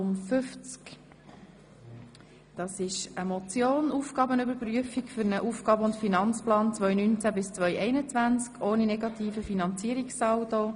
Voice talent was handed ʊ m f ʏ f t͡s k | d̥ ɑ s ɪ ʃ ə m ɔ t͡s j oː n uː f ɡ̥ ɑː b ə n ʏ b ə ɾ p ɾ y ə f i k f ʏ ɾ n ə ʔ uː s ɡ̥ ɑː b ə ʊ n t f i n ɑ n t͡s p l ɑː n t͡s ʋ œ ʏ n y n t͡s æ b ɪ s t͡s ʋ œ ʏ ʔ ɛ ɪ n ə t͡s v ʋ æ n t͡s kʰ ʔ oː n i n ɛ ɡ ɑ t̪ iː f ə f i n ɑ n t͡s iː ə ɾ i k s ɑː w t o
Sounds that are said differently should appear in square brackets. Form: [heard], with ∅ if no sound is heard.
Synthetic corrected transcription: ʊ m f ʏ f t͡s k | d̥ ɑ s ɪ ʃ ə m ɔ t͡s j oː n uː f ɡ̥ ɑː b ə n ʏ b ə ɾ p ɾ y ə f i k f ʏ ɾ n ə ʔ uː [f] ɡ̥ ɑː b ə ʊ n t f i n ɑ n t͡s p l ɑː n t͡s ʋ œ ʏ n y n t͡s æ b ɪ s t͡s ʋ œ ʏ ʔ ɛ ɪ n ə t͡s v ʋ æ n t͡s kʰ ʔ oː n i n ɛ ɡ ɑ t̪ iː f ə f i n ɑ n t͡s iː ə ɾ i k s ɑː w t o